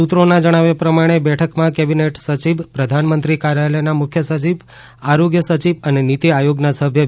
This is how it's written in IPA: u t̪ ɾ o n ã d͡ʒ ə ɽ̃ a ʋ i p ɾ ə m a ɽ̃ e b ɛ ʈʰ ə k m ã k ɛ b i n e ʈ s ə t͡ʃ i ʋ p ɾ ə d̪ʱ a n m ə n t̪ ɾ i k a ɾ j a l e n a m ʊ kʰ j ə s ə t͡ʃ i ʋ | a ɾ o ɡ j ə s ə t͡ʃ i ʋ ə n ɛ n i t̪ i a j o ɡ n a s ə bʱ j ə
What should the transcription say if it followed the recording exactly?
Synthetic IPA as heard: u t̪ ɾ o n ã d͡ʒ ə ɽ̃ a ʋ e p ɾ ə m a ɽ̃ e b ɛ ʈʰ ə k m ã k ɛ b i n e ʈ s ə t͡ʃ i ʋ p ɾ ə d̪ʱ a n m ə n t̪ ɾ i k a ɾ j a l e n a m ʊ kʰ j ə s ə t͡ʃ i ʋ | a ɾ o ɡ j ə s ə t͡ʃ i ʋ ə n e n i t̪ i a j o ɡ n a s ə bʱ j ə